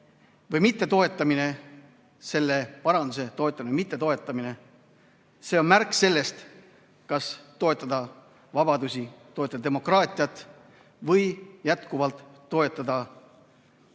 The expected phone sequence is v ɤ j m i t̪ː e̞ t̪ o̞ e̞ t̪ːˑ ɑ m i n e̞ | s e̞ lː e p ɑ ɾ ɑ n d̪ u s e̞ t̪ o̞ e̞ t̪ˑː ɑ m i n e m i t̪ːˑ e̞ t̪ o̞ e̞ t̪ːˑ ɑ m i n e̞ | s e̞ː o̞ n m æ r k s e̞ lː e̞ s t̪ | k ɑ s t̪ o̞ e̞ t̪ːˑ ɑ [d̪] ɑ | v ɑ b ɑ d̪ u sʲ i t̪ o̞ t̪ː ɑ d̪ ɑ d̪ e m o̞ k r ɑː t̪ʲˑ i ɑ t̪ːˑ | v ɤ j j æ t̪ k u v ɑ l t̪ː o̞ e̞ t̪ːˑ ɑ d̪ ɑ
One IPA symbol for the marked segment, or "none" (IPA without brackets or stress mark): d̪